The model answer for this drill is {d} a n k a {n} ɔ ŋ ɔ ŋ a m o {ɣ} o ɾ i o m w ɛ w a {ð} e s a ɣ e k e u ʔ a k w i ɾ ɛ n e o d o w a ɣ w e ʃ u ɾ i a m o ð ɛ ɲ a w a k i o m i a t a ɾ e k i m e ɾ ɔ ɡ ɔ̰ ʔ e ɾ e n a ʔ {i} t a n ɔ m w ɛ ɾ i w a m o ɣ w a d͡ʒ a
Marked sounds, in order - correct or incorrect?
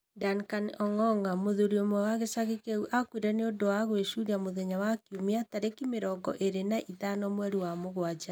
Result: correct, correct, incorrect: ð, incorrect: ɣ, correct

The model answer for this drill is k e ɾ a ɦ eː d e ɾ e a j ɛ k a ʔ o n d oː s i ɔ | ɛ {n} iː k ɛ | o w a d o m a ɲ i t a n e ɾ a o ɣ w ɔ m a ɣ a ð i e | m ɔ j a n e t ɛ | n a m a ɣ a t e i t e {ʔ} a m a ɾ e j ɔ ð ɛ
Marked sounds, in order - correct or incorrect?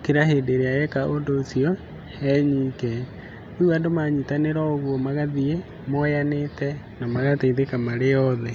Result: incorrect: ɲ, incorrect: k

